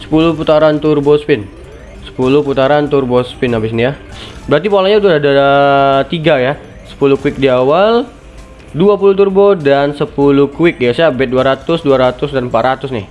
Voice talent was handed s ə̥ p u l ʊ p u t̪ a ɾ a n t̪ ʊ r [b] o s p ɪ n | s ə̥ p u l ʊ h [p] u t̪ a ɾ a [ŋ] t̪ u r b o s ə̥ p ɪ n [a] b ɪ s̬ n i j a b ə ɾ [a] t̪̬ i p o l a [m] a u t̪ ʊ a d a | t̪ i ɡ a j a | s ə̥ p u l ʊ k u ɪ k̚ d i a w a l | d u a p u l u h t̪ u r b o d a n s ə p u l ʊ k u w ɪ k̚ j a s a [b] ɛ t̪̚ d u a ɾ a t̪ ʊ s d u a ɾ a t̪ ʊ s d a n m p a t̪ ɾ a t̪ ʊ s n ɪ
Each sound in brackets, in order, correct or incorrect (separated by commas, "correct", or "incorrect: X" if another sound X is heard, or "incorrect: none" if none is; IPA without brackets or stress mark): correct, correct, incorrect: n, correct, correct, incorrect: ɲ, correct